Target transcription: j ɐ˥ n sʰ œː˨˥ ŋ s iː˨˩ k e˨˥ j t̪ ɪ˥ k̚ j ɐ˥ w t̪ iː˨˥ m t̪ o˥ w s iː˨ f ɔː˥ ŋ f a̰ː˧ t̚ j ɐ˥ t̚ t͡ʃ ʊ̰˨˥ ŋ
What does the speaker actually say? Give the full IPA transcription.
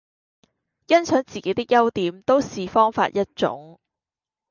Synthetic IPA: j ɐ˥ n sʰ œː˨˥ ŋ t͡s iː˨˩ k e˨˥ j t̪ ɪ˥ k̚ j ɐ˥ w t̪ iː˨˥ m t̪ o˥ w s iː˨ f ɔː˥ ŋ f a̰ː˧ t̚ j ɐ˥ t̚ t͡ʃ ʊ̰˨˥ ŋ

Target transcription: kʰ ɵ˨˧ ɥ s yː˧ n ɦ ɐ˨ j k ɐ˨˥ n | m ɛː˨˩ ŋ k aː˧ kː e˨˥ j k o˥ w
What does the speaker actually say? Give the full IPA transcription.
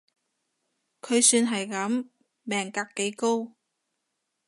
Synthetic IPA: kʰ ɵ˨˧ ɥ s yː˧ n ɦ ɐ˨ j k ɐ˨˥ m | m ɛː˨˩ ŋ k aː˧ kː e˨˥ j k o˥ w

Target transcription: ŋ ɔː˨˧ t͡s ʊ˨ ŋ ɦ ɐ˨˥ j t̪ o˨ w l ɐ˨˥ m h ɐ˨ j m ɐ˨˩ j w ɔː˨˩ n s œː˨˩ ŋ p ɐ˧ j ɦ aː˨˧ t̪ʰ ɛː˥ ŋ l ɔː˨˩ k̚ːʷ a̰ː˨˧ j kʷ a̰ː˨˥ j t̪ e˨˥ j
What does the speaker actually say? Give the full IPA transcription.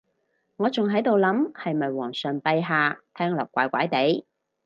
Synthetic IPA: ŋ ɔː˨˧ t͡s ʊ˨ ŋ ɦ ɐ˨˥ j t̪ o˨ w l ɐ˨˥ m h ɐ˨ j m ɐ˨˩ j w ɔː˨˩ ŋ s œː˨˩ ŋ p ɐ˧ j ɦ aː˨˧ t̪ʰ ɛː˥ ŋ l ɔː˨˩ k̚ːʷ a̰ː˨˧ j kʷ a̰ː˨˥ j t̪ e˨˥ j

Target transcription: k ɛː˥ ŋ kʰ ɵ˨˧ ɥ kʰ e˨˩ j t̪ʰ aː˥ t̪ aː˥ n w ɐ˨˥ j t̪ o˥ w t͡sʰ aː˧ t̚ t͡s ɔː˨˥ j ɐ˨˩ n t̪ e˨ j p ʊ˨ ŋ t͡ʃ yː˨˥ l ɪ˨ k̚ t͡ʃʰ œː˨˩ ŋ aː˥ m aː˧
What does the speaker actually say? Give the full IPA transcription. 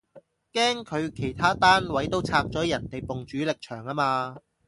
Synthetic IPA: k ɛː˥ ŋ kʰ ɵ˨˧ ɥ kʰ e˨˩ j t̪ʰ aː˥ t̪ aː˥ n w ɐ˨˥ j t̪ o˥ w t͡sʰ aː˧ k̚ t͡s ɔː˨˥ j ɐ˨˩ n t̪ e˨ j p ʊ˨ ŋ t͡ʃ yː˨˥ l ɪ˨ k̚ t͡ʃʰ œː˨˩ ŋ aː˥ m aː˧

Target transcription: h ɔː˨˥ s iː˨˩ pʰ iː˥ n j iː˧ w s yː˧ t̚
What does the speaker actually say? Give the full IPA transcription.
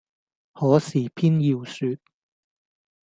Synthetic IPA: h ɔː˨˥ s iː˨˩ pʰ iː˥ n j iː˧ w s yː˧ t̚

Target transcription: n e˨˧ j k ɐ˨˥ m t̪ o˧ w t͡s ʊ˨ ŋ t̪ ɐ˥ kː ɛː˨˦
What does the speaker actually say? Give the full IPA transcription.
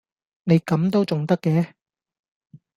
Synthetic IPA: n e˨˧ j k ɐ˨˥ m t̪ o˥ w t͡s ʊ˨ ŋ t̪ ɐ˥ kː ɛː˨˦

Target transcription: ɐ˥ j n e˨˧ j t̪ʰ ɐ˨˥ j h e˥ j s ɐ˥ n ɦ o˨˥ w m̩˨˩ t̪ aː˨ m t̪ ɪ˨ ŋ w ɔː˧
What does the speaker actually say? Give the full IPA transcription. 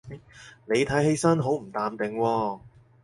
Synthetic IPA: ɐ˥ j n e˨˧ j t̪ʰ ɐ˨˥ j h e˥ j s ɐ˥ n ɦ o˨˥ w m̩˨˩ t̪ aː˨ m t̪ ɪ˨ ŋ w ɔː˧

